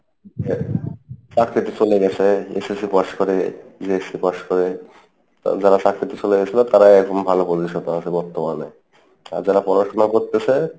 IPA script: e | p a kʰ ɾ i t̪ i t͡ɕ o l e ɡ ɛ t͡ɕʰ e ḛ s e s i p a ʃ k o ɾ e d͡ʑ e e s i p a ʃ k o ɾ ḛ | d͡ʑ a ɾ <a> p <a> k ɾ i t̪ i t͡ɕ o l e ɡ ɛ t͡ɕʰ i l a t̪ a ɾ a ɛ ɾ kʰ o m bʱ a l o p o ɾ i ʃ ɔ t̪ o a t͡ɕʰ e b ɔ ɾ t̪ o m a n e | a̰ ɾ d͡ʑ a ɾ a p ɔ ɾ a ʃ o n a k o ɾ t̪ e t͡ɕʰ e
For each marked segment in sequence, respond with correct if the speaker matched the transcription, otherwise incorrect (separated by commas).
correct, correct